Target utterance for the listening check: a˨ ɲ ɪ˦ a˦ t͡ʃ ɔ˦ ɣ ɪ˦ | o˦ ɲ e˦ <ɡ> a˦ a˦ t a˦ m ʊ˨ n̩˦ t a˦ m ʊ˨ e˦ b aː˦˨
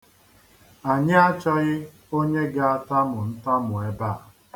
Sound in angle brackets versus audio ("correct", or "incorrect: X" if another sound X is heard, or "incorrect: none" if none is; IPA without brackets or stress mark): correct